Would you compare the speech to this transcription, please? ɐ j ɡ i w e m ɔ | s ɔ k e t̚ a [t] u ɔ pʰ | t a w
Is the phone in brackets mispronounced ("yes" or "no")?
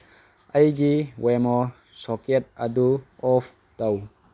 yes